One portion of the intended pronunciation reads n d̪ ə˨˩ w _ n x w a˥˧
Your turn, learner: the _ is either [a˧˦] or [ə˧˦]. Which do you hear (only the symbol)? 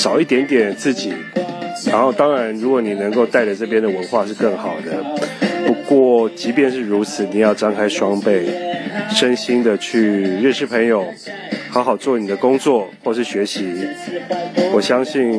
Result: ə˧˦